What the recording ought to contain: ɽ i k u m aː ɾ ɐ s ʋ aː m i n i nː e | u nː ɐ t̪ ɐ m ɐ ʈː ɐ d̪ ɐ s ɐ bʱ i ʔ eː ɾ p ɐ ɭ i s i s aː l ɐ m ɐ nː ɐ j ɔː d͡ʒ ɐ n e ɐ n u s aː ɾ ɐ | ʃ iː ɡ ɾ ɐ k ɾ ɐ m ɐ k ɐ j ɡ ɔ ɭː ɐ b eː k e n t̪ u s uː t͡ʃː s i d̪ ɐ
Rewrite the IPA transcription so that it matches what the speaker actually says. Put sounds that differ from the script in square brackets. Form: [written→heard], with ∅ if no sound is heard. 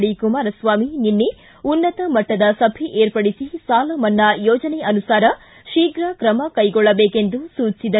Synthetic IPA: ɽ i k u m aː ɾ ɐ s ʋ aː m i n i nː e | u nː ɐ t̪ ɐ m ɐ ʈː ɐ d̪ ɐ s ɐ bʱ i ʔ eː ɾ p ɐ [ɭ→ɽ] i s i s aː l ɐ m ɐ nː ɐ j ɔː d͡ʒ ɐ n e ɐ n u s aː ɾ ɐ | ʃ iː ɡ ɾ ɐ k ɾ ɐ m ɐ k ɐ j ɡ ɔ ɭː ɐ b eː k e n [t̪→d̪] u s uː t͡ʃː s i d̪ ɐ

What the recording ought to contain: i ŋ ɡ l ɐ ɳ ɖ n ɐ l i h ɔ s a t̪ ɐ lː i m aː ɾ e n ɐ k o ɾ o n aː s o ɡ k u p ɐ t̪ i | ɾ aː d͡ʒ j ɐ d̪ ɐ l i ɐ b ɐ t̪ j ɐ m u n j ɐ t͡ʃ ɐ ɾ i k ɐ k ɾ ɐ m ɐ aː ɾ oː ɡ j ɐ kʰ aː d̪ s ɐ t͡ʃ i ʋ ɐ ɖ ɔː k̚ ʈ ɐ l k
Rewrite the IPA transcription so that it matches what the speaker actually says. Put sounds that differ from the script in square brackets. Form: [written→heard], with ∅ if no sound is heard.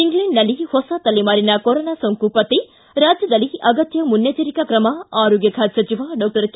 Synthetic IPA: i ŋ ɡ l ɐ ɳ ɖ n ɐ l i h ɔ s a t̪ ɐ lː i m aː ɾ [e→i] n ɐ k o ɾ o n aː s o [ɡ→ŋ] k u p ɐ t̪ i | ɾ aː d͡ʒ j ɐ d̪ ɐ l i ɐ [b→ɡ] ɐ t̪ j ɐ m u n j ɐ t͡ʃ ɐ ɾ i k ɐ k ɾ ɐ m ɐ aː ɾ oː ɡ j ɐ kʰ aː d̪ s ɐ t͡ʃ i ʋ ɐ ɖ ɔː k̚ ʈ ɐ [l→ɾ] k

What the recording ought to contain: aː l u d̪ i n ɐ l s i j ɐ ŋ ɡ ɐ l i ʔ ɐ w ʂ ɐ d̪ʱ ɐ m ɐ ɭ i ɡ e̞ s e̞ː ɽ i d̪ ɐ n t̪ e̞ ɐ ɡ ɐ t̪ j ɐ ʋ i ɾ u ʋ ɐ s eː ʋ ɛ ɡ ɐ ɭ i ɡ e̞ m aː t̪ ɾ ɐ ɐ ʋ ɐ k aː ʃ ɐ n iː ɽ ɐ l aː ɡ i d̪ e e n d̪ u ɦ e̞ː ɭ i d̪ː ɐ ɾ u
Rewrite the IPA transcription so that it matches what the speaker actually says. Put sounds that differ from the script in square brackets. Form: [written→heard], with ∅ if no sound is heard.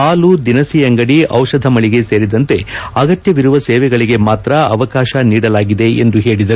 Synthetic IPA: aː l u d̪ i n ɐ [l→∅] s i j ɐ ŋ ɡ ɐ [l→ɽ] i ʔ ɐ w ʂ ɐ d̪ʱ ɐ m ɐ ɭ i ɡ e̞ s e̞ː [ɽ→ɾ] i d̪ ɐ n t̪ e̞ ɐ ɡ ɐ t̪ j ɐ ʋ i ɾ u ʋ ɐ s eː ʋ ɛ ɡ ɐ ɭ i ɡ e̞ m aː t̪ ɾ ɐ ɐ ʋ ɐ k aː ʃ ɐ n iː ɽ ɐ l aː ɡ i d̪ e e n d̪ u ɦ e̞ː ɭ i [d̪ː→d̪] ɐ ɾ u

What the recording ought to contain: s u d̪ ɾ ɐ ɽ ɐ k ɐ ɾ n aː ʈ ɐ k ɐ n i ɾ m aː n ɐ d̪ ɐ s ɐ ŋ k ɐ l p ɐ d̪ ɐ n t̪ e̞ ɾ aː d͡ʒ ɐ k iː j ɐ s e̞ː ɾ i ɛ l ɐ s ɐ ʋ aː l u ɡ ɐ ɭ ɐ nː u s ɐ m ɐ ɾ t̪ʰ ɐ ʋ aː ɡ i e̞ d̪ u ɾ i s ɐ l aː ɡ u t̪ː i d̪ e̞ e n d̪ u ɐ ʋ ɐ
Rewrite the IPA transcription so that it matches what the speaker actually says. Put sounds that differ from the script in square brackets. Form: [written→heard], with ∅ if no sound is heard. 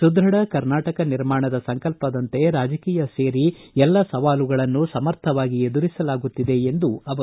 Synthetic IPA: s u d̪ ɾ ɐ ɽ ɐ k ɐ ɾ n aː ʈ ɐ k ɐ n i ɾ m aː [n→ɳ] ɐ d̪ ɐ s ɐ ŋ k ɐ l p ɐ d̪ ɐ n t̪ e̞ ɾ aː d͡ʒ ɐ k iː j ɐ s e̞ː ɾ i ɛ [l→lː] ɐ s ɐ ʋ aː l u ɡ ɐ ɭ ɐ nː u s ɐ m ɐ ɾ t̪ʰ ɐ ʋ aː ɡ i e̞ d̪ u ɾ i s ɐ l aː ɡ u t̪ː i d̪ e̞ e n d̪ u ɐ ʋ ɐ

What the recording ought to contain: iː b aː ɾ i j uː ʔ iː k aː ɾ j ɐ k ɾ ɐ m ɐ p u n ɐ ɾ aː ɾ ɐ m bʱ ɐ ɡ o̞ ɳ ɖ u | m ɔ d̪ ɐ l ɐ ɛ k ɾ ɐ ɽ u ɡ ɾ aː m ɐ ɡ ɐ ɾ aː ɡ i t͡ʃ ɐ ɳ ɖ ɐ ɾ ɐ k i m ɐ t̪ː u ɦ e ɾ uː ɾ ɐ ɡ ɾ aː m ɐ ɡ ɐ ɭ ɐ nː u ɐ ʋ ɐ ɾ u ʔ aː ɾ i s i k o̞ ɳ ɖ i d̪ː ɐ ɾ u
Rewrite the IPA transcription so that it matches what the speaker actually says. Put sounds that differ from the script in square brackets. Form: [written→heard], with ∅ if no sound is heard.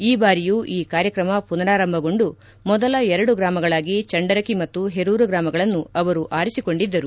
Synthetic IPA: iː b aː ɾ i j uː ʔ iː k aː ɾ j ɐ k ɾ ɐ m ɐ p u n ɐ ɾ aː ɾ ɐ m bʱ ɐ ɡ o̞ ɳ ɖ u | m ɔ d̪ ɐ l ɐ ɛ [k→∅] ɾ ɐ ɽ u ɡ ɾ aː m ɐ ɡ ɐ [ɾ→ɭ] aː ɡ i t͡ʃ ɐ ɳ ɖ ɐ ɾ ɐ k i m ɐ t̪ː u ɦ e ɾ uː ɾ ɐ ɡ ɾ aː m ɐ ɡ ɐ ɭ ɐ nː u ɐ ʋ ɐ ɾ u ʔ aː ɾ i s i k o̞ ɳ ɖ i d̪ː ɐ ɾ u

